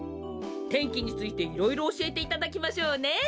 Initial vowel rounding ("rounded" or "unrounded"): unrounded